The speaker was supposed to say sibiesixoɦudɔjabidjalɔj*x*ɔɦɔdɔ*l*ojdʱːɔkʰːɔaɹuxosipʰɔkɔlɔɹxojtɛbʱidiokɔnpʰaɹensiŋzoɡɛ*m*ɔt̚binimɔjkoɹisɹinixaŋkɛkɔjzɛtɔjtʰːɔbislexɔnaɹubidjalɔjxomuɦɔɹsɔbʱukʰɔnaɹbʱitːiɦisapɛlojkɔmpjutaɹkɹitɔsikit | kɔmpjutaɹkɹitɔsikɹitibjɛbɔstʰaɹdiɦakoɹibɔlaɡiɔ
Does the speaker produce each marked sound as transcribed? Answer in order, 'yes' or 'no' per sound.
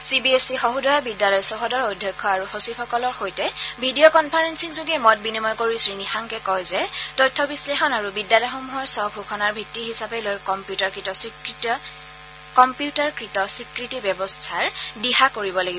no, no, yes

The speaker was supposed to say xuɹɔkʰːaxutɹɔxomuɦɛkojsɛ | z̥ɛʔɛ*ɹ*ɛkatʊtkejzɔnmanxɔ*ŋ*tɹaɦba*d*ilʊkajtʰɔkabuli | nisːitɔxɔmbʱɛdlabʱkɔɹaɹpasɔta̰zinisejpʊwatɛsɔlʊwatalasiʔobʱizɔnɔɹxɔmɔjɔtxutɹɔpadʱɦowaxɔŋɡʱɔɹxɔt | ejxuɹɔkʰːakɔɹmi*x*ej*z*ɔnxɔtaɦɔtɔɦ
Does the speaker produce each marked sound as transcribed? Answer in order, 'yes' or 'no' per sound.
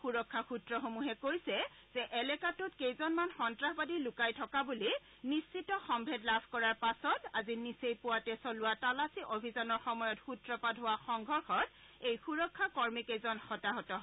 no, no, yes, no, yes

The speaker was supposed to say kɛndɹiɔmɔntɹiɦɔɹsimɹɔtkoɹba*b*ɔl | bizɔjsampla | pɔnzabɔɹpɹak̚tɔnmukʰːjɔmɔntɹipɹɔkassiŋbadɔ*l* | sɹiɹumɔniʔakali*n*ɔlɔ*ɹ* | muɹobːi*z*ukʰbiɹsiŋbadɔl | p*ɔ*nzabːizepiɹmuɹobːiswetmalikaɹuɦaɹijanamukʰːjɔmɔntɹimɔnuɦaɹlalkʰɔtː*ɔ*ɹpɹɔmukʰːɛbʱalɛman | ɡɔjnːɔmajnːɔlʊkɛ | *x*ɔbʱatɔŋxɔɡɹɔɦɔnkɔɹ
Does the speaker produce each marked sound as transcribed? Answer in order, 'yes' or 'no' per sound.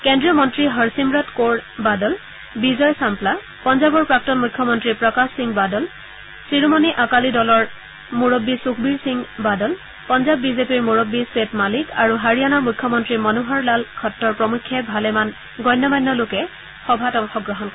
no, yes, no, yes, no, yes, yes, yes

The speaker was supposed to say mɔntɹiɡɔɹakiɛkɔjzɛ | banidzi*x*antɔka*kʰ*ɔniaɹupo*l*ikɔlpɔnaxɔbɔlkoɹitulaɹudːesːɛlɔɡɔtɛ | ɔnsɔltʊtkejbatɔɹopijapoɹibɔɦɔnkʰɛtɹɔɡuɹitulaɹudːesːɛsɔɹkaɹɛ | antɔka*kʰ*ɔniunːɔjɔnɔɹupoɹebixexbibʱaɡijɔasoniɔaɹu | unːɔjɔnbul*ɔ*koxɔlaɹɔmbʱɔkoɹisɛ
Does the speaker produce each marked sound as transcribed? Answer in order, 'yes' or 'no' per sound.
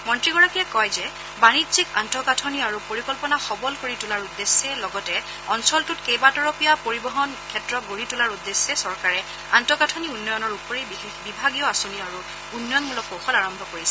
no, no, no, no, yes

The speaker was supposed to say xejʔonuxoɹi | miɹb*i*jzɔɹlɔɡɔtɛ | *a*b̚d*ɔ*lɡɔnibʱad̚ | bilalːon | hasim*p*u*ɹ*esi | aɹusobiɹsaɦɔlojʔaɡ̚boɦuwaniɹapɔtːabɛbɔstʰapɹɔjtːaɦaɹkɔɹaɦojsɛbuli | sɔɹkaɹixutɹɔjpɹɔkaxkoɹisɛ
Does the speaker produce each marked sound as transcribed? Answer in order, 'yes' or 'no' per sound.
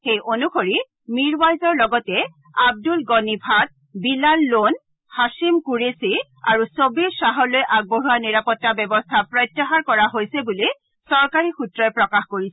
no, yes, no, no, yes

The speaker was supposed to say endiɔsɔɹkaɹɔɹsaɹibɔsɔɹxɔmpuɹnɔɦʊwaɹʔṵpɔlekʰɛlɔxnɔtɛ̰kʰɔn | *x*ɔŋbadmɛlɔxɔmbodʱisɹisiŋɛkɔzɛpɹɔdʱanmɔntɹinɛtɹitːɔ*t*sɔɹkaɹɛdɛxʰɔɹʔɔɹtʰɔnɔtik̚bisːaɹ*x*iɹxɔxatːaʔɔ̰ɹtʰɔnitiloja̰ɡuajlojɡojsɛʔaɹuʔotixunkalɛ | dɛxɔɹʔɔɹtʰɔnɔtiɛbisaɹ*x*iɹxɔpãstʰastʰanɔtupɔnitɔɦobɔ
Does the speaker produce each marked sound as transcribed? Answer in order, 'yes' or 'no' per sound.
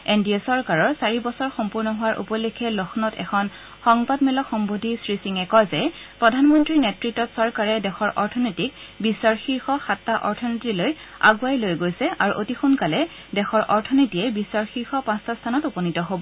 yes, yes, yes, yes

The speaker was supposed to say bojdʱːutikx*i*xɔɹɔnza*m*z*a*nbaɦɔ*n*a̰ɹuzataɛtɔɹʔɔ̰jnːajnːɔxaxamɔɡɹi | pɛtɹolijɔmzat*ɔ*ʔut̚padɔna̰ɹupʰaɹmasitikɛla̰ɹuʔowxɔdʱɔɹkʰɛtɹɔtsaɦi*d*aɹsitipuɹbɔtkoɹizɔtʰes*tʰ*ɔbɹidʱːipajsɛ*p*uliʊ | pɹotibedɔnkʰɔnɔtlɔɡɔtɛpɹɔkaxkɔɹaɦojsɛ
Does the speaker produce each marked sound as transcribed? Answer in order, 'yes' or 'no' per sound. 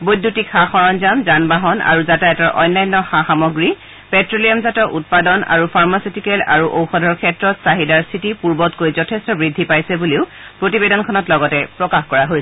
no, yes, yes, yes, yes, yes, no, no

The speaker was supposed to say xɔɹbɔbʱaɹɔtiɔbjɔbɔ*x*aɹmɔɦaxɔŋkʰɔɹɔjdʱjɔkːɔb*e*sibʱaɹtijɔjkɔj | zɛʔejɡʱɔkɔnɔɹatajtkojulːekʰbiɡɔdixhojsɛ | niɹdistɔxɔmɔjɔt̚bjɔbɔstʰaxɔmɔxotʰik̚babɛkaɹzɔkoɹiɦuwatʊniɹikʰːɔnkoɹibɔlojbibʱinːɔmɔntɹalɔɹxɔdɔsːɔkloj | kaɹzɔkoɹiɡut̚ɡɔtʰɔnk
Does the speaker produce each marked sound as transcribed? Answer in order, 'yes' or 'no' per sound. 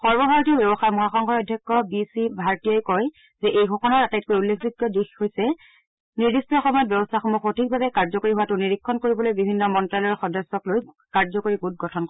yes, no

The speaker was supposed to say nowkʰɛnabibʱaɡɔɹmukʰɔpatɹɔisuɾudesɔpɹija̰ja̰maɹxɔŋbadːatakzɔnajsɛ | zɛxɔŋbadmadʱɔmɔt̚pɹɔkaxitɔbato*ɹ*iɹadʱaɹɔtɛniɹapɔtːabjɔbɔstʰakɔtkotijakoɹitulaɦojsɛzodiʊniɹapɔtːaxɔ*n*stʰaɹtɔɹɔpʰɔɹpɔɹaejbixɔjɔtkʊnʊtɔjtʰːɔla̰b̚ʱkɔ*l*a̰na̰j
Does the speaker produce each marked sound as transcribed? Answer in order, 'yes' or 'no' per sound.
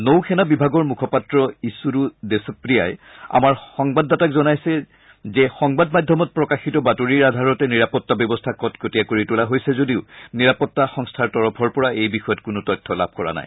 yes, no, no

